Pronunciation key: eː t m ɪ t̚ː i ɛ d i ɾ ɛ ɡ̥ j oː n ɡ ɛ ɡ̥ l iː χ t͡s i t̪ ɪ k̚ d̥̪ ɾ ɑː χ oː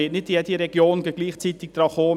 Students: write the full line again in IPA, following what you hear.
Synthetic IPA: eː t n ɪ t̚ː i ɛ d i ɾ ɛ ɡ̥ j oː n ɡ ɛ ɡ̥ l iː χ t͡s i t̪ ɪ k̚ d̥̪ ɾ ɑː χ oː